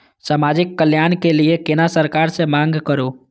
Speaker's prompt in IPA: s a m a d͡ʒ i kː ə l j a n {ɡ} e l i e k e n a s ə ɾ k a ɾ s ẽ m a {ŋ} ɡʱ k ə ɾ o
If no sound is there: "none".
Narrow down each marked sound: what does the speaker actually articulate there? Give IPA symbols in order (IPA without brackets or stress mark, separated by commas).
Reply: k, ŋ